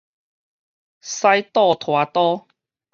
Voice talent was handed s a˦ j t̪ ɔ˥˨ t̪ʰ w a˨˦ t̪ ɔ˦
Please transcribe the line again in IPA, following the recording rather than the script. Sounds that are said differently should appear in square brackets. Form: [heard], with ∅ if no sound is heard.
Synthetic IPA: s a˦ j t̪ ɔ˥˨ t̪ʰ w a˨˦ t̪ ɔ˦